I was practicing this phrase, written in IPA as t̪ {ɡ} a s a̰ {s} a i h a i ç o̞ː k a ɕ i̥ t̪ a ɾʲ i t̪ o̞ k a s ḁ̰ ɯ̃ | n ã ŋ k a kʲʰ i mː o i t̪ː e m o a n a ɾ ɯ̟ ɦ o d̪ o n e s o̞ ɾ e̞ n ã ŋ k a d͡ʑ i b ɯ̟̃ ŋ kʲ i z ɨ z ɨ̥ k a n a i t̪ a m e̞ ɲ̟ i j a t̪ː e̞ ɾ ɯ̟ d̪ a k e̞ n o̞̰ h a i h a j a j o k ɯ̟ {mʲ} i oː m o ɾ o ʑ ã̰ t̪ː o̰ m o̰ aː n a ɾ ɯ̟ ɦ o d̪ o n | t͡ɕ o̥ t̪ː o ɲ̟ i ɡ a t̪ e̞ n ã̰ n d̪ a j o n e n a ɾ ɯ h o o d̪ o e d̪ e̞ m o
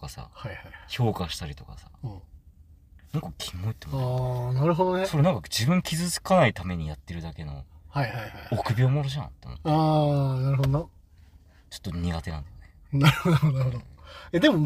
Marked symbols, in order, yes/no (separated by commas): no, no, no